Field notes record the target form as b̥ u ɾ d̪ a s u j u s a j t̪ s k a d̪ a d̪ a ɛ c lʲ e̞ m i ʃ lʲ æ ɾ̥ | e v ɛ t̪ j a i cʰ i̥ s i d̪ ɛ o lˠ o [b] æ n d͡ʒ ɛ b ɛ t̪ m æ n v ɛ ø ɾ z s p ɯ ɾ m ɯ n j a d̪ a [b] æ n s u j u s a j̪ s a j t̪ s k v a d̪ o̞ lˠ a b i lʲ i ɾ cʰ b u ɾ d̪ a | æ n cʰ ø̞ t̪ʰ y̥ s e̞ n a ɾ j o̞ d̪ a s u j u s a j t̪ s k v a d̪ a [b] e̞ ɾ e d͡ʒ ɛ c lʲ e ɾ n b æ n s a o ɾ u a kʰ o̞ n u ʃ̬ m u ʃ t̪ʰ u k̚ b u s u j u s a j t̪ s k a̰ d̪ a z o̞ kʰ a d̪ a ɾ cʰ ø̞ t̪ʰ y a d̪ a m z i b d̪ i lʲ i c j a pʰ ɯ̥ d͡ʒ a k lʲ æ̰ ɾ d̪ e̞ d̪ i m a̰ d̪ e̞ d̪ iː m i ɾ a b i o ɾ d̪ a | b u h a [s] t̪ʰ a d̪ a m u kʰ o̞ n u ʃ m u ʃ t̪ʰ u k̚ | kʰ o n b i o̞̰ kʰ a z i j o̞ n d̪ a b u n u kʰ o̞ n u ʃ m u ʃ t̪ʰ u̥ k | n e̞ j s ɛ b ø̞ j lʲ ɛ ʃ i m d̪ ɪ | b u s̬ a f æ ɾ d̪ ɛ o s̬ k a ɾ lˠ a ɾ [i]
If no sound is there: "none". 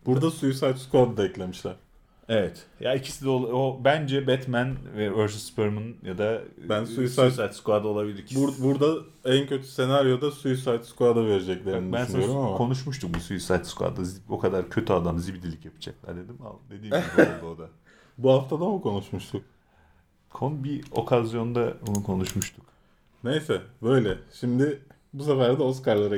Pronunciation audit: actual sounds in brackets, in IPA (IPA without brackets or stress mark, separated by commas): b, b, v, f, a